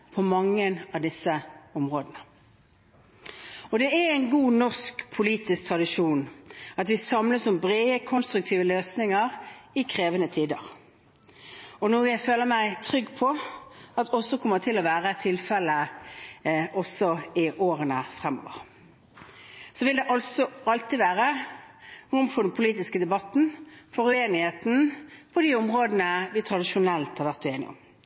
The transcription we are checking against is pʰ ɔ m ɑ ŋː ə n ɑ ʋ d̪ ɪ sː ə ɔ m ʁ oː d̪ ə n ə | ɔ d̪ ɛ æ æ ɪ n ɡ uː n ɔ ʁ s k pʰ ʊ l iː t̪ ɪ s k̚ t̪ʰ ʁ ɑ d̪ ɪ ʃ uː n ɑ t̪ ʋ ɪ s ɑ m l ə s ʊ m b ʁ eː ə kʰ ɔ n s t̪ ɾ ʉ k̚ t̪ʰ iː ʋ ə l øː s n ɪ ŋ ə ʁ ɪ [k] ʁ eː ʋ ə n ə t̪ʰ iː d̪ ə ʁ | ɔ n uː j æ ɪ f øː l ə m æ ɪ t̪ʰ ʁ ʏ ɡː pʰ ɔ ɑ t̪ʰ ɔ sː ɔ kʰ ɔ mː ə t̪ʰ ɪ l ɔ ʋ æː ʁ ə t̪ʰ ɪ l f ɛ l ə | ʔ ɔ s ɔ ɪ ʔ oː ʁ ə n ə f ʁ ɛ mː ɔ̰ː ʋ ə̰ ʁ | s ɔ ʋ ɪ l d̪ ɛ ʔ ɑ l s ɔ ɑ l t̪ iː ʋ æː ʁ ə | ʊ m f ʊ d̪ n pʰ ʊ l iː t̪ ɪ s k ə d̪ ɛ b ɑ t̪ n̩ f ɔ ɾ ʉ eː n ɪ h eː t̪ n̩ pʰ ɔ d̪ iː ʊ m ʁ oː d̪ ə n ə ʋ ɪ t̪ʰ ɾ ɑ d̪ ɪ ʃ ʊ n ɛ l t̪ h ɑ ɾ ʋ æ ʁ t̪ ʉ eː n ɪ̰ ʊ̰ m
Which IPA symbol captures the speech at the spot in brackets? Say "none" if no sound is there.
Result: kʰ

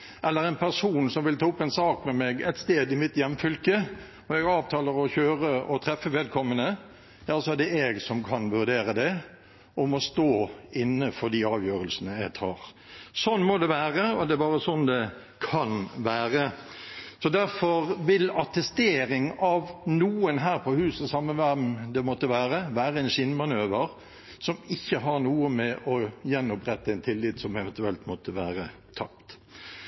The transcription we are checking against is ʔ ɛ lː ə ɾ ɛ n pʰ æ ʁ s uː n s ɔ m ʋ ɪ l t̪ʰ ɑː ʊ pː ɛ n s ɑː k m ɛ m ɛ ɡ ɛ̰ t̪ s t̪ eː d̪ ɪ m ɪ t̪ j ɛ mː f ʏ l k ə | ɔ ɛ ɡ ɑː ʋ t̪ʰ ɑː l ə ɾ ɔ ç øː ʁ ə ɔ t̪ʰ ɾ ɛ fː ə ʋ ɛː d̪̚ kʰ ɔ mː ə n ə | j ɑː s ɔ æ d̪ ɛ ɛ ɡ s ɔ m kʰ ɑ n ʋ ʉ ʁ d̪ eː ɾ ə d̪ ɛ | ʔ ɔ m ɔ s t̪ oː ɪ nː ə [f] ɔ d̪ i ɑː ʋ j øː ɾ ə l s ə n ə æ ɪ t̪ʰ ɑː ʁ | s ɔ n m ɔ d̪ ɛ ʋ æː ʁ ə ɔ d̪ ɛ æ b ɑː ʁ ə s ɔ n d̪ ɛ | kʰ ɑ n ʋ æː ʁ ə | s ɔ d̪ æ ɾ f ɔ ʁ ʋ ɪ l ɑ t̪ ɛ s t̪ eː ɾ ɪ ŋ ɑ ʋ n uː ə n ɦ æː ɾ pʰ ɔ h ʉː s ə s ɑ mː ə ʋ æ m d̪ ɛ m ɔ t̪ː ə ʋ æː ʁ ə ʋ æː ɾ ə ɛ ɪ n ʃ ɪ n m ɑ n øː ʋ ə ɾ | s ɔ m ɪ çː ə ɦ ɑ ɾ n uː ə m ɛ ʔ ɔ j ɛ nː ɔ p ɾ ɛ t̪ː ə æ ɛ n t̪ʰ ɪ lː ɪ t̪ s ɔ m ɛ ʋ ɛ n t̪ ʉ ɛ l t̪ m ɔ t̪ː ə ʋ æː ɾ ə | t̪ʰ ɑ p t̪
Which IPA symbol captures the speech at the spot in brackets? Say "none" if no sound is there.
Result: f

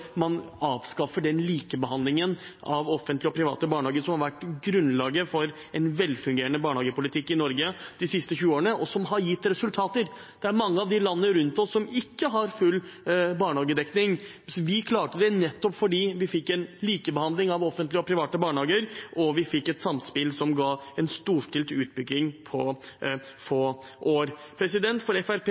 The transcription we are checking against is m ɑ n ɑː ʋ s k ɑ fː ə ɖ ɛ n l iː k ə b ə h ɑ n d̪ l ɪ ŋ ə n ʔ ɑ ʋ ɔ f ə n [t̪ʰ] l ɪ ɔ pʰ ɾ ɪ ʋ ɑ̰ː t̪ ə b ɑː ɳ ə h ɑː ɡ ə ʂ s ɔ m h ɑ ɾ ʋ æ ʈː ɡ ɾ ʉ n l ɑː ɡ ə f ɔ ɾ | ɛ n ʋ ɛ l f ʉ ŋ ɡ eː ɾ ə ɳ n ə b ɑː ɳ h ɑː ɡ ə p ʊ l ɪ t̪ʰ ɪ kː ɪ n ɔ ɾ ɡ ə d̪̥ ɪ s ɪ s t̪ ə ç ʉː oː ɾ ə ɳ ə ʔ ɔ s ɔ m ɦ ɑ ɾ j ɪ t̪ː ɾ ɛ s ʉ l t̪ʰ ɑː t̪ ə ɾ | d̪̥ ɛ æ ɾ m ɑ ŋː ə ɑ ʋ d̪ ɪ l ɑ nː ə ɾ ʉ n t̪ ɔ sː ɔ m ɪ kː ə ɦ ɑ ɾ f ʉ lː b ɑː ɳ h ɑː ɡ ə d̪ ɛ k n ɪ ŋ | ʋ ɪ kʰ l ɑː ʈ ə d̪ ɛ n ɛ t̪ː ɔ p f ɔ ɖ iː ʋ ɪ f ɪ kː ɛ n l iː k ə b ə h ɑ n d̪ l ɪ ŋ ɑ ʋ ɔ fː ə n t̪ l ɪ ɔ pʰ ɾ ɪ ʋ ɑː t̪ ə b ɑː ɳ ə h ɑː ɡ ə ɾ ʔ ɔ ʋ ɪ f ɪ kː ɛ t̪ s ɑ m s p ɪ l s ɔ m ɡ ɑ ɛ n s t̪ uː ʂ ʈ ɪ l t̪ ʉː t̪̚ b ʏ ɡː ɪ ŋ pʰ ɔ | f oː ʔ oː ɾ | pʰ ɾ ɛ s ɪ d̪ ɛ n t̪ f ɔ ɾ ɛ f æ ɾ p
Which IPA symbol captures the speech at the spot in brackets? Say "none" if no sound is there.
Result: t̪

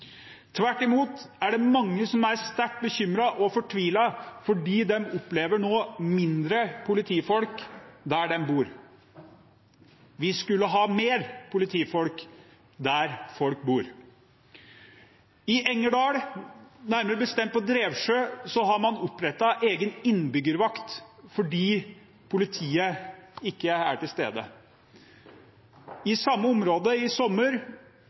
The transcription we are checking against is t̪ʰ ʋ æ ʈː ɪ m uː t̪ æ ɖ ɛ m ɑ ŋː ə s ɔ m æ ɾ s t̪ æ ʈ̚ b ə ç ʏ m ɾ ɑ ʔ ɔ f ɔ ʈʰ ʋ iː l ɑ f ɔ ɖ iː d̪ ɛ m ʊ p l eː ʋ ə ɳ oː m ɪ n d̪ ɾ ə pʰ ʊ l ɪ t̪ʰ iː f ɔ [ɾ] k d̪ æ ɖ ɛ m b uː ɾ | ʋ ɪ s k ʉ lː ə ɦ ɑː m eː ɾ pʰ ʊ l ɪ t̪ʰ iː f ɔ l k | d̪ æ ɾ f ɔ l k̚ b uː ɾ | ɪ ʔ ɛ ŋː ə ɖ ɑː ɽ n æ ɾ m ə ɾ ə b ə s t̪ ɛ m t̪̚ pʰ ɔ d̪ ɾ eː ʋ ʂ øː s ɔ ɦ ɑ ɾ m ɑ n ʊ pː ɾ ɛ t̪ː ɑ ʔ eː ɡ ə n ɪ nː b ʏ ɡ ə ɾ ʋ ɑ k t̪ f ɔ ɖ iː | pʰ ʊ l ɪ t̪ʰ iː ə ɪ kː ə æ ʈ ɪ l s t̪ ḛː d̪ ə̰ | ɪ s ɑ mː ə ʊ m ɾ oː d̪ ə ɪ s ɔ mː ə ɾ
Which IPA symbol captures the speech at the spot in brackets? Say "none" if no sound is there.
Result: l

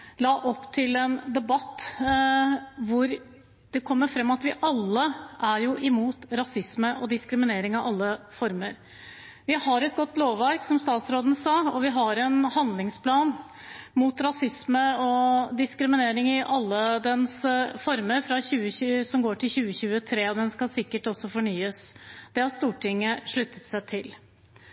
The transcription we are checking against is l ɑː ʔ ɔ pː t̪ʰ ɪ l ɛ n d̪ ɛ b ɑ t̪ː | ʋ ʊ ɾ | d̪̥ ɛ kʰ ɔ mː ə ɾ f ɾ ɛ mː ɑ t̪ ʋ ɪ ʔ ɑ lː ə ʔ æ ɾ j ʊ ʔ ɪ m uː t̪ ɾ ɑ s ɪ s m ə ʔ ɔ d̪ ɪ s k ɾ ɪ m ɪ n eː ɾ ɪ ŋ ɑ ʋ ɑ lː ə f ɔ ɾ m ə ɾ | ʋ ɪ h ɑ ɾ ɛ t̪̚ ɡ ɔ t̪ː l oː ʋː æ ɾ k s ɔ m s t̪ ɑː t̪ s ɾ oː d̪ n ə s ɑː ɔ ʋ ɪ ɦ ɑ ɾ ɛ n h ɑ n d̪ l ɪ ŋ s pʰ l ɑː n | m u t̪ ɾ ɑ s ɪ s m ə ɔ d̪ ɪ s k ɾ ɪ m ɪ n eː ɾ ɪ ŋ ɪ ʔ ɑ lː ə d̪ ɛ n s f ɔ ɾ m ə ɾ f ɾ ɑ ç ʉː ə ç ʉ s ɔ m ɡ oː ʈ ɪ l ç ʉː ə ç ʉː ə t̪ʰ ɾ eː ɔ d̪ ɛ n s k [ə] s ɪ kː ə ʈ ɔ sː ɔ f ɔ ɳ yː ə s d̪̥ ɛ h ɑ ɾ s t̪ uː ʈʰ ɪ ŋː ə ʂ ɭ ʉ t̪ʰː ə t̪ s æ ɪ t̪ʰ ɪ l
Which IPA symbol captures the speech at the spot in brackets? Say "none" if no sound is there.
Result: ɑ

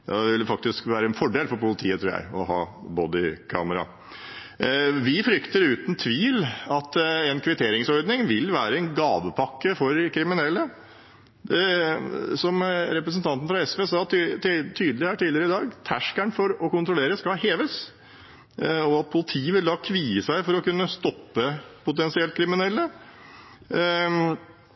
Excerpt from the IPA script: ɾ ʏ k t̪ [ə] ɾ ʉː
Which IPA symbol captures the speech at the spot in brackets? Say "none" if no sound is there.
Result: ə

